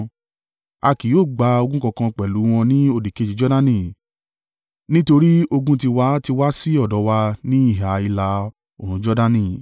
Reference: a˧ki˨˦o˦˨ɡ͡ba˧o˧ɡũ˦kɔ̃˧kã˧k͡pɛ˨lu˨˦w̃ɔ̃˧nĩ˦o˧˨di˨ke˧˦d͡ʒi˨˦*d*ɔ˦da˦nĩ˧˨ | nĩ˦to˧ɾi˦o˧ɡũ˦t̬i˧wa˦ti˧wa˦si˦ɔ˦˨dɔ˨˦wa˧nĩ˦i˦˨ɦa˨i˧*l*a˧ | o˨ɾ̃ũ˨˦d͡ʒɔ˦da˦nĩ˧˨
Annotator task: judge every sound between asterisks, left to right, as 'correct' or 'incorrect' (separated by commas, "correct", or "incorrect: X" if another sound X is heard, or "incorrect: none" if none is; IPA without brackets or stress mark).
incorrect: d͡ʒ, correct